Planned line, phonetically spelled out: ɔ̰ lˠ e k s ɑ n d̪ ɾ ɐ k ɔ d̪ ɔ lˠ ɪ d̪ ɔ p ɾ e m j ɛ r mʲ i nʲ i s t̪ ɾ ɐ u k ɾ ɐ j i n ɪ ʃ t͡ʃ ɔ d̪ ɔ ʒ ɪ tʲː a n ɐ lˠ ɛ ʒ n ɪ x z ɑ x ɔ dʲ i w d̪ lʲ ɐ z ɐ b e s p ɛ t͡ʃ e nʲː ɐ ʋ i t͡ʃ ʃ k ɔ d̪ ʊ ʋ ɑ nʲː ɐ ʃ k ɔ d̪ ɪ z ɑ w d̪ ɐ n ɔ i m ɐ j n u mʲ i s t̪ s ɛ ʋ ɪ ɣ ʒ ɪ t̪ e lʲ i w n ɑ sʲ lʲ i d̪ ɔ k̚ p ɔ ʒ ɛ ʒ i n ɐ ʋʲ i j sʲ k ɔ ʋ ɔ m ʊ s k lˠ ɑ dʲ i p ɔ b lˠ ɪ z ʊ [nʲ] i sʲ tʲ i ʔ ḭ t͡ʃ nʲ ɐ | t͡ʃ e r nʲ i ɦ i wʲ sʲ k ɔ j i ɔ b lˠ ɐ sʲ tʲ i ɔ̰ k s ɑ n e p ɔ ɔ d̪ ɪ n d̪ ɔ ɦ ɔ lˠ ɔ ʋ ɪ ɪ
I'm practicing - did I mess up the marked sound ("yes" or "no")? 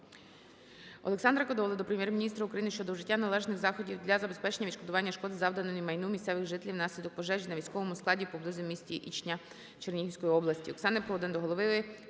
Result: yes